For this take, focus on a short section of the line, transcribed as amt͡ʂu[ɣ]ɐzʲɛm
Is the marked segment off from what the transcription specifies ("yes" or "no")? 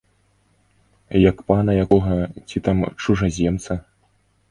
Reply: yes